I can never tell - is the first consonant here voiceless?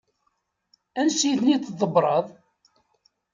no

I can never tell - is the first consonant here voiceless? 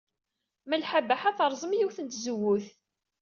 no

